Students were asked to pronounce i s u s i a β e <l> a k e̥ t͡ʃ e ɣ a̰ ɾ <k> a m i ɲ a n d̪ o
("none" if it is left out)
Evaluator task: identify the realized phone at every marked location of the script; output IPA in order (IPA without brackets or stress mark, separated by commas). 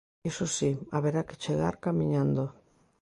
ɾ, k